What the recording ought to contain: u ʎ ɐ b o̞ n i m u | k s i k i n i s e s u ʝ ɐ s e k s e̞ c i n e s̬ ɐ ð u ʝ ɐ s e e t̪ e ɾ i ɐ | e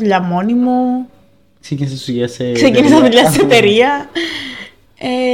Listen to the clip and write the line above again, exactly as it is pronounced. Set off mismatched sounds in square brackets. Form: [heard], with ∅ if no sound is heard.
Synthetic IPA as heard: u ʎ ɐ [m] o̞ n i m u | k s [e] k i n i s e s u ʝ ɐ s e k s e̞ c i n [i] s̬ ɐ ð u [ʎ] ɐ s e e t̪ e ɾ i ɐ | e